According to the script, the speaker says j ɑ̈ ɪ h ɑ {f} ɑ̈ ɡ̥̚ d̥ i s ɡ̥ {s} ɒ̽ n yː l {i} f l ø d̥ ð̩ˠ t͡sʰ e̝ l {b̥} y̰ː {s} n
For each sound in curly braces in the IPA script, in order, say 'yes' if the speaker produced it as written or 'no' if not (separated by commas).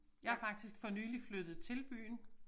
yes, no, yes, yes, no